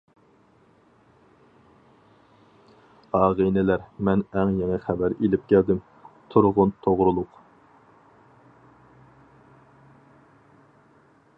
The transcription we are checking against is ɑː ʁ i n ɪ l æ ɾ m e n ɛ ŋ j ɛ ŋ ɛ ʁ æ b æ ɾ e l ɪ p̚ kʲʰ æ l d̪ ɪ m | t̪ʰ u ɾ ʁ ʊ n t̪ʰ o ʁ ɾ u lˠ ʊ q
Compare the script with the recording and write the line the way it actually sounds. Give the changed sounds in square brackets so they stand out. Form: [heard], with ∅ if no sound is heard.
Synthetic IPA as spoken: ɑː ʁ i n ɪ l æ ɾ m [ɛ] n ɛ ŋ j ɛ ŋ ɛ [χ] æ b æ ɾ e l ɪ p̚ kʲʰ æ l d̪ ɪ m | t̪ʰ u ɾ ʁ ʊ n t̪ʰ o ʁ ɾ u lˠ ʊ q